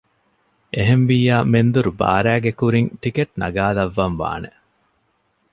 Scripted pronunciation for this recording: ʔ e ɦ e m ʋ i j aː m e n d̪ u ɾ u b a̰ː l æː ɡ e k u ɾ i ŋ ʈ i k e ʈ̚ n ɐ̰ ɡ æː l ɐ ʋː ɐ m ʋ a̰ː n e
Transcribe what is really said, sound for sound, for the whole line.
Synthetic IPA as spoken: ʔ e ɦ e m ʋ i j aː m e n d̪ u ɾ u b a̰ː ɾ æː ɡ e k u ɾ i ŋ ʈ i k e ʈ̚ n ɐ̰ ɡ aː l ɐ ʋː ɐ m ʋ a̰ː n e